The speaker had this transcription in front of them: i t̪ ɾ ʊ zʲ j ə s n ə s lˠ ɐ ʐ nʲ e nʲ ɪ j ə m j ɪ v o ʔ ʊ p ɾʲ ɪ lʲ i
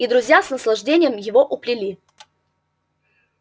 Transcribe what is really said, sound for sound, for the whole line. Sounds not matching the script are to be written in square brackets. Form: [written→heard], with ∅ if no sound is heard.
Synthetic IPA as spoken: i [t̪→d̪] ɾ ʊ zʲ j [ə→a] s n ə s lˠ ɐ ʐ [nʲ→dʲ] e nʲ ɪ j ə m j ɪ v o ʔ ʊ p [ɾʲ→lʲ] ɪ lʲ i